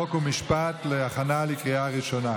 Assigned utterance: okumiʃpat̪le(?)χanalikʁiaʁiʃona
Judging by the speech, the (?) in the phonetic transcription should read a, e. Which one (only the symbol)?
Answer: a